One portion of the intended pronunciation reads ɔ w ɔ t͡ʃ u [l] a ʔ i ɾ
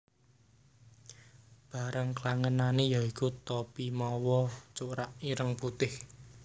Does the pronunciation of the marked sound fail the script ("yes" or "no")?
yes